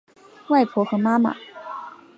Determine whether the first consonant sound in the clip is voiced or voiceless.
voiced